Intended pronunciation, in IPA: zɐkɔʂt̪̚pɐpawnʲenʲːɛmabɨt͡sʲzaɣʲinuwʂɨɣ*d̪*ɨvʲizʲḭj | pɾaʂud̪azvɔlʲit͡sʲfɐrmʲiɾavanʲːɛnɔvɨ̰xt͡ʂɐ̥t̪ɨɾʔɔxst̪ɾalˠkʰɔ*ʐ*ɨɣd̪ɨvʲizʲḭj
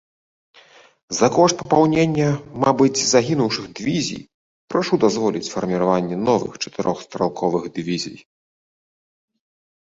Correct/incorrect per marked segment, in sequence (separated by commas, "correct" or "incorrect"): correct, incorrect